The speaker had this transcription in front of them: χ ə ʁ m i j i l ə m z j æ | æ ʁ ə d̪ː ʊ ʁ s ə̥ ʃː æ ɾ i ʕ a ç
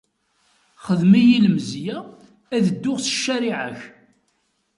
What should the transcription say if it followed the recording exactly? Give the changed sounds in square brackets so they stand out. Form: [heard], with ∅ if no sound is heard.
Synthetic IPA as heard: χ ə [ð] m i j i l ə m z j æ | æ [ð] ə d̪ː ʊ ʁ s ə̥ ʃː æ ɾ i ʕ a ç